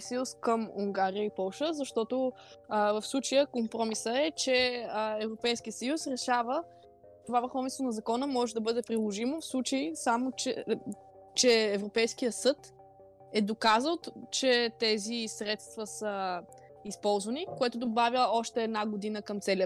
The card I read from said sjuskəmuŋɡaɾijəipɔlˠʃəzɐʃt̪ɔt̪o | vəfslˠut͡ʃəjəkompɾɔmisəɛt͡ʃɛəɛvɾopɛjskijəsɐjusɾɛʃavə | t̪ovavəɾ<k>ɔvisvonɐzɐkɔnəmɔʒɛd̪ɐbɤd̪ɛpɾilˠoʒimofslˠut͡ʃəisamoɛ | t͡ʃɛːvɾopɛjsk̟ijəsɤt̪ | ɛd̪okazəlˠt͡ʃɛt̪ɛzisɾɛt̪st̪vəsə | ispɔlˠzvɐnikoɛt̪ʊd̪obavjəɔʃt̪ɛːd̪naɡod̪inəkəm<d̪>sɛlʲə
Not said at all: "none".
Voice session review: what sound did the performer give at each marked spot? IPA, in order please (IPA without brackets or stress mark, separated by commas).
x, t̪